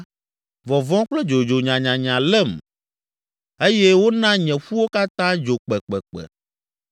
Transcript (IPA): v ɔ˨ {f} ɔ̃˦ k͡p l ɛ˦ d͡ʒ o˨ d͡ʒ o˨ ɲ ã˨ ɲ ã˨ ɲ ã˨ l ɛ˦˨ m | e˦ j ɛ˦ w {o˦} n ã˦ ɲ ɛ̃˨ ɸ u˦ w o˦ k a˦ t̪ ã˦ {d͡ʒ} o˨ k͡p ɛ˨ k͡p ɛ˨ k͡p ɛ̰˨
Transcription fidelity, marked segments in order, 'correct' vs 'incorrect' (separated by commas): incorrect, correct, correct